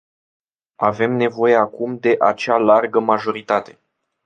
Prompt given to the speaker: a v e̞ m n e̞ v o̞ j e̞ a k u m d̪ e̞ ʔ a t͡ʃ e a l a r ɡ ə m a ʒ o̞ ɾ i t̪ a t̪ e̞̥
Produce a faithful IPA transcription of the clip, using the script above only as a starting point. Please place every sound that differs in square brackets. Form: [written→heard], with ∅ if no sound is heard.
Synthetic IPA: a v e̞ m n e̞ v o̞ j e̞ a k u m d̪ e̞ ʔ a t͡ʃ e a l a r ɡ ə m a ʒ o̞ ɾ i t̪ a t̪ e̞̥